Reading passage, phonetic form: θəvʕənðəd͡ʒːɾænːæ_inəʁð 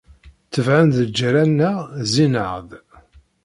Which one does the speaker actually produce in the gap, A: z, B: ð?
A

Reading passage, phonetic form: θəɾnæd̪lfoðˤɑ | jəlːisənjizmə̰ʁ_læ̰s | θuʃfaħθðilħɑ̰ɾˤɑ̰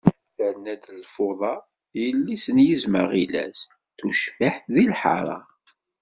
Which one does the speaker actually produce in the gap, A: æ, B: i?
B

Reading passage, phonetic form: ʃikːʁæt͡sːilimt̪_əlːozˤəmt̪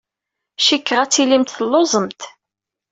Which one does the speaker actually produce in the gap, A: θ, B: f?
A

